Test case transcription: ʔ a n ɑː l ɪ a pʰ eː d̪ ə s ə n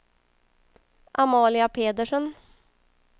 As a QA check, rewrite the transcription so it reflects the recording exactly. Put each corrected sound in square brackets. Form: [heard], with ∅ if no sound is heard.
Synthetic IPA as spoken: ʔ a [m] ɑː l ɪ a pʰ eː d̪ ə [ʂ] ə n